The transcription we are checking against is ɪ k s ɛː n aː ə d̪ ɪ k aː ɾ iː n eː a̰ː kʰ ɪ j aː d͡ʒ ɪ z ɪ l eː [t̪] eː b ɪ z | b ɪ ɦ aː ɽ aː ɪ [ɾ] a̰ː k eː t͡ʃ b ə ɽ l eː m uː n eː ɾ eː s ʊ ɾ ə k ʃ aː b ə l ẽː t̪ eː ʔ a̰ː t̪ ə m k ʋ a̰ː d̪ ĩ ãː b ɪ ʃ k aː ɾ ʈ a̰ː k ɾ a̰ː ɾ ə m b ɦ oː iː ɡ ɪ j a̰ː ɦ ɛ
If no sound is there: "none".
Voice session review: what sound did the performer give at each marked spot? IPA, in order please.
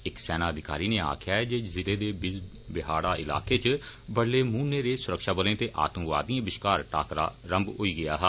d̪, l

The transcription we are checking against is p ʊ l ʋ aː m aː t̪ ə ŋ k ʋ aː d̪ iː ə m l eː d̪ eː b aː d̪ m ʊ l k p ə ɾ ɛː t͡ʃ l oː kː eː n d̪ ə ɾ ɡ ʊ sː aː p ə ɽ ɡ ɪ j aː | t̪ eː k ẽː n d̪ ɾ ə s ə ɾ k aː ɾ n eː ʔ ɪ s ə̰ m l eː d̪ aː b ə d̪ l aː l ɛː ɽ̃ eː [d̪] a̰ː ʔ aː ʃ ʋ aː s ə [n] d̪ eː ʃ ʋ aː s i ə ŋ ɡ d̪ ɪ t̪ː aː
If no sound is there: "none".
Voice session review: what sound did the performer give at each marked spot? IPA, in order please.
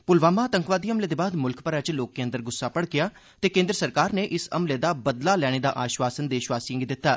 d̪, n

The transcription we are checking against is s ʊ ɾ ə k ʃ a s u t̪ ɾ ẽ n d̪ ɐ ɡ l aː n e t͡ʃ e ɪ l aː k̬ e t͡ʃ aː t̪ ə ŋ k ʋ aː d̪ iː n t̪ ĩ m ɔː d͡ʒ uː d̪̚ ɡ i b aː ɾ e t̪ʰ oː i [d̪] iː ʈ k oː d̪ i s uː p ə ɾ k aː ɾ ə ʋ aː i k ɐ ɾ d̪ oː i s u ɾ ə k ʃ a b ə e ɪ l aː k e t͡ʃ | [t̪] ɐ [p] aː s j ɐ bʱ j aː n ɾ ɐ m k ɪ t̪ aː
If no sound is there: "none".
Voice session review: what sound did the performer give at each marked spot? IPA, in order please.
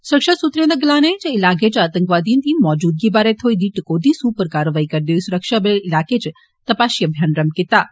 d̪, t̪, p

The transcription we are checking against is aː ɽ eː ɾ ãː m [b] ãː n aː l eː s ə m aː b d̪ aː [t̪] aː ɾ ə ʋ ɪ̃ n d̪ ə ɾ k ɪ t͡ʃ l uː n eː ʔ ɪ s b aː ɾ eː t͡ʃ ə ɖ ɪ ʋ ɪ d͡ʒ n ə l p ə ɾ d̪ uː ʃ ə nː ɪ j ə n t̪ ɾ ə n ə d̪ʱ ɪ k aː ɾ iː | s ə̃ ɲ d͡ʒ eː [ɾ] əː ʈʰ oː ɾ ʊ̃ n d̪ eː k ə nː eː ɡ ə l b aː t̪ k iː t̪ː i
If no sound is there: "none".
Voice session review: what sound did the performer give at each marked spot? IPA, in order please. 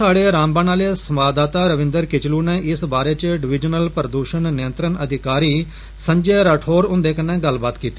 b, t̪, ɾ

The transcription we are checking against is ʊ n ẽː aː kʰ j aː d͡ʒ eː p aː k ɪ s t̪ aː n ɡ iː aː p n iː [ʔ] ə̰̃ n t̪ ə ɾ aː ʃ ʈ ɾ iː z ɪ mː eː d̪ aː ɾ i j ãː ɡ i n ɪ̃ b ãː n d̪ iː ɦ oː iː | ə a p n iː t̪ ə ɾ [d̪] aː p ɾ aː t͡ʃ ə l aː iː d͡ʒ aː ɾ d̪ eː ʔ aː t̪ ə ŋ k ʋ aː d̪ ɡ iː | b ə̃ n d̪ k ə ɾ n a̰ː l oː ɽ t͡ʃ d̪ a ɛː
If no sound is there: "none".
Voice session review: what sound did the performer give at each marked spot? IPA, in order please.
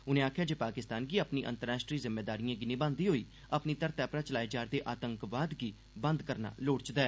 ʔ, t̪

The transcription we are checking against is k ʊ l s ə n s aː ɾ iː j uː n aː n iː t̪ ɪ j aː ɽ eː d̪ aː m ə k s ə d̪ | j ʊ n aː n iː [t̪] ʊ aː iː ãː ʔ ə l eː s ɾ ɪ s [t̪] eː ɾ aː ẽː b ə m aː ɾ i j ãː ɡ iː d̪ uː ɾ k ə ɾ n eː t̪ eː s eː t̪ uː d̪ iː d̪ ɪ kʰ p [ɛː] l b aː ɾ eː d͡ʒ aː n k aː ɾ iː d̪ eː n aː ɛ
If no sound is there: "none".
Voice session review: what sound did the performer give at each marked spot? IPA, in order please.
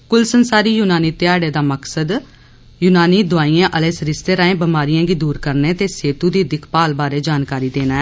d̪, t̪, aː

